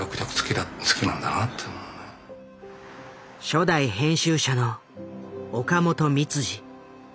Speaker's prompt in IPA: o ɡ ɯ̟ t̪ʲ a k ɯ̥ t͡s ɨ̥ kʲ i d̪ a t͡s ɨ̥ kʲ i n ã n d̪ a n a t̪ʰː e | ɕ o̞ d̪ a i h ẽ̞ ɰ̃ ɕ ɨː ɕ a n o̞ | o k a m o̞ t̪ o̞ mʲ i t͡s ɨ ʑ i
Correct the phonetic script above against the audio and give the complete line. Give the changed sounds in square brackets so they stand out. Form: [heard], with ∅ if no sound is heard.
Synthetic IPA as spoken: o [k] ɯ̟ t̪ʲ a k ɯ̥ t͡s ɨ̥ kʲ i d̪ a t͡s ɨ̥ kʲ i n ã n d̪ a n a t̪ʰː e | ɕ o̞ d̪ a i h ẽ̞ ɰ̃ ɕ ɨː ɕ a n o̞ | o k a m o̞ t̪ o̞ mʲ i t͡s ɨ ʑ i